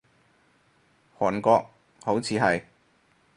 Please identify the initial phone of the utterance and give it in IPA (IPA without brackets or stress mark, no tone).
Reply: h